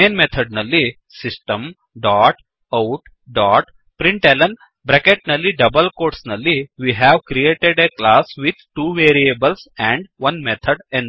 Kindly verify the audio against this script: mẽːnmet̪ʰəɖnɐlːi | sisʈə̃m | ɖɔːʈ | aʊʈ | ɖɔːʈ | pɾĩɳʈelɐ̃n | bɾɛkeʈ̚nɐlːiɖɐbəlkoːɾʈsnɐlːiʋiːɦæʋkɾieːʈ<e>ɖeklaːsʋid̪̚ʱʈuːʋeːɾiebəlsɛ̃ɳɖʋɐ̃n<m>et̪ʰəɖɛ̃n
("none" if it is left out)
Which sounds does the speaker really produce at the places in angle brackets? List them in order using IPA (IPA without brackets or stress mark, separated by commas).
e, m